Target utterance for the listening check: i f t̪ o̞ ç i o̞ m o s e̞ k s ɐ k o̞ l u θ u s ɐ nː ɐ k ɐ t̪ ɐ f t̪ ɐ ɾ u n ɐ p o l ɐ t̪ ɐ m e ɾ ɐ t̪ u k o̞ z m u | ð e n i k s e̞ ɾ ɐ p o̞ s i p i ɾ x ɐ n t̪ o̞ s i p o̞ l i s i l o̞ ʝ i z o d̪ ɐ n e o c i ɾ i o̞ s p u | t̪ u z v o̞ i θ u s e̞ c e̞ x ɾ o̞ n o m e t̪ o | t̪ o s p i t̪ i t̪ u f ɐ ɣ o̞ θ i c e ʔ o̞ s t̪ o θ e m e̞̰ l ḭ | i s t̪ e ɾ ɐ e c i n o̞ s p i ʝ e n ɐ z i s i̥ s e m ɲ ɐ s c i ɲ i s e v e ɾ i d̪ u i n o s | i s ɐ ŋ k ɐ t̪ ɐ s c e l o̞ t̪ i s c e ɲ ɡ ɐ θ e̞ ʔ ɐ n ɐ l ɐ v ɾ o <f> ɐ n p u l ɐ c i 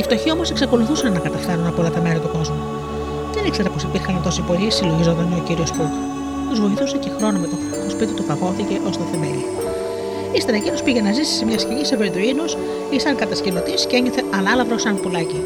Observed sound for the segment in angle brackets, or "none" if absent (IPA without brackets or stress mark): s